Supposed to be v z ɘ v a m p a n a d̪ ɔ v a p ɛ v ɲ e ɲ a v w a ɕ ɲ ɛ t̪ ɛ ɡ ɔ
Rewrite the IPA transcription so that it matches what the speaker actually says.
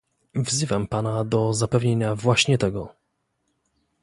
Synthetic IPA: v z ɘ v a m p a n a d̪ ɔ z a p ɛ v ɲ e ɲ a v w a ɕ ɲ ɛ t̪ ɛ ɡ ɔ